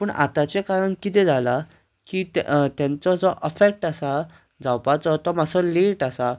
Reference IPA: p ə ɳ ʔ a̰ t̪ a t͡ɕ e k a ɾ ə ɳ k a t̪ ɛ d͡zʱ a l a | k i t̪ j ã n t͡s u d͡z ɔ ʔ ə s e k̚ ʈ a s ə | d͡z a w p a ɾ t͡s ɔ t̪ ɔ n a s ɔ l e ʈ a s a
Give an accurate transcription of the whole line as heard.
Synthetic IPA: p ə ɳ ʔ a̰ t̪ a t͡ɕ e k a ɾ ə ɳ k i t̪ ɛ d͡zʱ a l a | k i t̪ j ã n t͡s ɔ d͡z ɔ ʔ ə f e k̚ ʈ a s a | d͡z a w p a t͡s ɔ t̪ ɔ m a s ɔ l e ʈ a s a